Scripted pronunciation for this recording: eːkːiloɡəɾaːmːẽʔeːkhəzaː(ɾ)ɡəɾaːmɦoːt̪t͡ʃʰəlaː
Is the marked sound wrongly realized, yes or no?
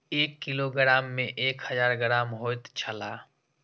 no